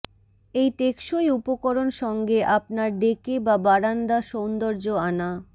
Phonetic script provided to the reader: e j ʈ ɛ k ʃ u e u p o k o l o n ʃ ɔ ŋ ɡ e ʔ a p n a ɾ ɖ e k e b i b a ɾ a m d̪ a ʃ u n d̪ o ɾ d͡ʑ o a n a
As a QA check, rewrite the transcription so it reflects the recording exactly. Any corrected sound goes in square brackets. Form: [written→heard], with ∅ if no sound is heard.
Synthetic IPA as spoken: e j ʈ [ɛ→e] k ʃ [u→o] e u p o k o [l→ɾ] o n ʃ ɔ ŋ ɡ e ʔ a p n a ɾ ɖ e k e b [i→a] b a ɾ a [m→n] d̪ a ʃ [u→o] n d̪ o ɾ d͡ʑ o a n a